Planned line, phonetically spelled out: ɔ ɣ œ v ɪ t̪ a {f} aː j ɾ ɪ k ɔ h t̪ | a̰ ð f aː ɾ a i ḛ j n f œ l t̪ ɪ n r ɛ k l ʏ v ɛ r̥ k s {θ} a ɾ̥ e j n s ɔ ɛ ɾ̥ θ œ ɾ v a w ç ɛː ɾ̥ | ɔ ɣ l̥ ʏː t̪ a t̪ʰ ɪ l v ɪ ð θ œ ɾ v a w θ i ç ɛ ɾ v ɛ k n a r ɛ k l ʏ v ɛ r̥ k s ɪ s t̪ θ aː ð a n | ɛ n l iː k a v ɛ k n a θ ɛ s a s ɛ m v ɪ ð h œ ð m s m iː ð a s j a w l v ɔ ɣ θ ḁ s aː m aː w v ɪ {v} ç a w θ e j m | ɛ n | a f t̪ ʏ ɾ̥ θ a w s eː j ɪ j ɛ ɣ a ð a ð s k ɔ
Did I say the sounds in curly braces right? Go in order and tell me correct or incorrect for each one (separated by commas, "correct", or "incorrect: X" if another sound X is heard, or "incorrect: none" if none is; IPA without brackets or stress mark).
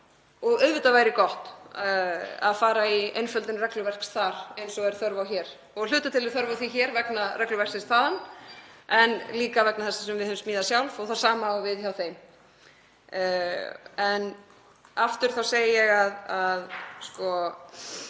incorrect: v, correct, incorrect: ð